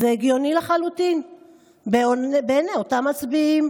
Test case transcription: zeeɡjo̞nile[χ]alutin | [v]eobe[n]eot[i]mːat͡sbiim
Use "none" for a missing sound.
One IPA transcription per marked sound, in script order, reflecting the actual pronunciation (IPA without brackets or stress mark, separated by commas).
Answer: χ, b, n, a